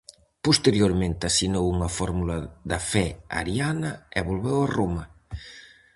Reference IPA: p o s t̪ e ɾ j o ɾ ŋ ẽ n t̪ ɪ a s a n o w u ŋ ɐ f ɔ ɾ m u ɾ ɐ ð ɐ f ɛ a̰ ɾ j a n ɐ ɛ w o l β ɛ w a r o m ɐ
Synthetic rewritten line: p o s t̪ e ɾ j o ɾ m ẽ n t̪ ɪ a s i n o w u ŋ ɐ f ɔ ɾ m u l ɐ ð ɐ f ɛ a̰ ɾ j a n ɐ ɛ β o l β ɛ w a r o m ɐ